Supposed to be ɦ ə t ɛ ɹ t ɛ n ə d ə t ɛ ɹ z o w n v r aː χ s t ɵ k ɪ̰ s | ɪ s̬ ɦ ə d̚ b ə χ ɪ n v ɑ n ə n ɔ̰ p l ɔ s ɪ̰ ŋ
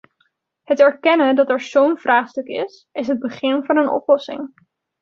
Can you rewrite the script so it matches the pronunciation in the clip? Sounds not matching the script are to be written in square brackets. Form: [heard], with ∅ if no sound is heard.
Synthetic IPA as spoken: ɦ ə t ɛ ɹ [k] ɛ n ə d [ɑ] t ɛ ɹ z o w n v r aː χ s t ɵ k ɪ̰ s | ɪ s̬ ɦ ə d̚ b ə χ ɪ n v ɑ n ə n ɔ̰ p l ɔ s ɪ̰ ŋ